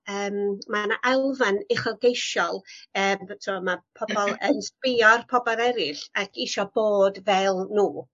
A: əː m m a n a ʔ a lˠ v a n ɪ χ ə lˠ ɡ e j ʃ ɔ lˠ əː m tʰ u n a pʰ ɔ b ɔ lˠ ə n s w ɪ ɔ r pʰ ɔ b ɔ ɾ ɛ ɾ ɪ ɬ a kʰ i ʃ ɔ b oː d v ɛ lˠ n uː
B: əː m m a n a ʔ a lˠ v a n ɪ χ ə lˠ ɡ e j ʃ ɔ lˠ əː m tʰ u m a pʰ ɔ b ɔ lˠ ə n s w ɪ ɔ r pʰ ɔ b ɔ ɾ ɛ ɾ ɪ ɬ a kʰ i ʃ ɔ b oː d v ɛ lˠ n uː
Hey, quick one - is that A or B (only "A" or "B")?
B